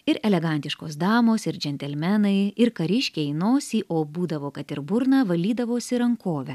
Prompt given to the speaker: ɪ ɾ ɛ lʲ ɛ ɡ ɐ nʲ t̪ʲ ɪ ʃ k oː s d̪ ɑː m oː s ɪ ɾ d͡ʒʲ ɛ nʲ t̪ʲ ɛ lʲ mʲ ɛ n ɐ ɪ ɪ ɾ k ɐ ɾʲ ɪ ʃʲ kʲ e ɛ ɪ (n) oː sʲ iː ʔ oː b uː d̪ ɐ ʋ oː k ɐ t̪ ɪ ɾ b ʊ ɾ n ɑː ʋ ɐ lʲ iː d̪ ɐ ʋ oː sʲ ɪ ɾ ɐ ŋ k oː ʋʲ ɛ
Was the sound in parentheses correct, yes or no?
yes